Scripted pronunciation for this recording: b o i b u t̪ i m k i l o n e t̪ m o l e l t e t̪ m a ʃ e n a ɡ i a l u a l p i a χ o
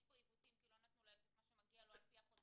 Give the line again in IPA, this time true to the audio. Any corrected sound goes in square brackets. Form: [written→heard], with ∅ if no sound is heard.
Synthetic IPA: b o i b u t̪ i m k i l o n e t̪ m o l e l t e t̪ m a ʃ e [n→m] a ɡ i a l [u→o] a l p i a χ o